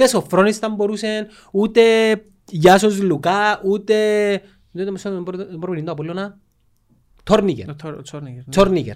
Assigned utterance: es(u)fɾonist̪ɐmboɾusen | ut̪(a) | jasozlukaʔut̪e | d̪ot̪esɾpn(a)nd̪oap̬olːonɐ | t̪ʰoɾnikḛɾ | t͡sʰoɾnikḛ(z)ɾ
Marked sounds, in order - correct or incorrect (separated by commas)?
incorrect, incorrect, incorrect, incorrect